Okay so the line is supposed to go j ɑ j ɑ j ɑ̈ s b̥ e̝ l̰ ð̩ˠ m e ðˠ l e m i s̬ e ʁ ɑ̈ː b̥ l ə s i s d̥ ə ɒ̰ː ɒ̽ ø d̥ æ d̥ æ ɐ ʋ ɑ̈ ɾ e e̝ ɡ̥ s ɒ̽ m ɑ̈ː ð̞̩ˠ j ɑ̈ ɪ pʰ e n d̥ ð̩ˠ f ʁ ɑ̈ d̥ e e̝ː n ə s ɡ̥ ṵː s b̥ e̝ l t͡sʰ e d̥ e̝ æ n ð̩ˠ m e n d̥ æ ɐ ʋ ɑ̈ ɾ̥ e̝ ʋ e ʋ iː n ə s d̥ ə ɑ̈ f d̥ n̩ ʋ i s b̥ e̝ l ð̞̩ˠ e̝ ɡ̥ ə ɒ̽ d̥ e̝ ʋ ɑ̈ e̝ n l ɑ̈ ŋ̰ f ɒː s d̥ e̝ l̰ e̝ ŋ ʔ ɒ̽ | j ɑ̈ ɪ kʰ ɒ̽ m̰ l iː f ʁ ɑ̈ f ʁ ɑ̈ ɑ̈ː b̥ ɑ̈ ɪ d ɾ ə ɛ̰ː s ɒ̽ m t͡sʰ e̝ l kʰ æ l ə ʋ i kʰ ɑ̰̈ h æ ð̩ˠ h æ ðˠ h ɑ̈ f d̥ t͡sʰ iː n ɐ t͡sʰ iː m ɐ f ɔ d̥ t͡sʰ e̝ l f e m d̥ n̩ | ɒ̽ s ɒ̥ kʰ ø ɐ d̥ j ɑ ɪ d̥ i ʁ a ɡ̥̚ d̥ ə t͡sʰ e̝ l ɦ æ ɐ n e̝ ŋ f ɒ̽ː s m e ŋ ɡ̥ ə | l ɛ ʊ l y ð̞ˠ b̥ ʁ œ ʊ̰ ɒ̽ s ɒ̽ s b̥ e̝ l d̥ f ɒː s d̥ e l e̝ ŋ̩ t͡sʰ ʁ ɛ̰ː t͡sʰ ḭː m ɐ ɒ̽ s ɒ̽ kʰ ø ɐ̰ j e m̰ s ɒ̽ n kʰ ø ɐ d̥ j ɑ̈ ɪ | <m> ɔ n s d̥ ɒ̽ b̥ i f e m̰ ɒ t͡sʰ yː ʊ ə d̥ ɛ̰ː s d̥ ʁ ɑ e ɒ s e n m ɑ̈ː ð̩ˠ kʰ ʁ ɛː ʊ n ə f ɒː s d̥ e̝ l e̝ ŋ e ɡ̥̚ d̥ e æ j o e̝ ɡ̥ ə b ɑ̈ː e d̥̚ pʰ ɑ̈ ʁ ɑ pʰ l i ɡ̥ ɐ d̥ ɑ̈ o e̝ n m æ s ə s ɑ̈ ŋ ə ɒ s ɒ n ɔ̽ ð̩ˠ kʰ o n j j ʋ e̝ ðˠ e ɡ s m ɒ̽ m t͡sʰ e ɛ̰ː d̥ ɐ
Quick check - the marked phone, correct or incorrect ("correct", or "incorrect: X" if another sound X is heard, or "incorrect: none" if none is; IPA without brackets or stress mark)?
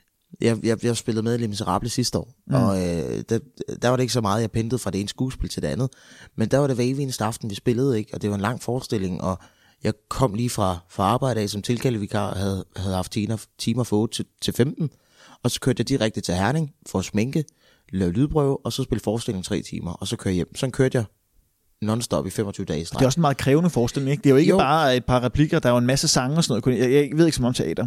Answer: incorrect: n